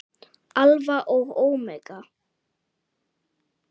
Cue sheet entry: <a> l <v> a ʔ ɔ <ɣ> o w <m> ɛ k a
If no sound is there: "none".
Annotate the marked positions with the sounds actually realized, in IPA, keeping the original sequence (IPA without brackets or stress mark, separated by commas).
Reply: a, v, ɣ, m